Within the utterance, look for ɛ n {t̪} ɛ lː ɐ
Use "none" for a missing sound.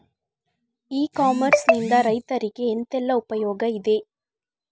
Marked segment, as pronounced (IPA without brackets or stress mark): t̪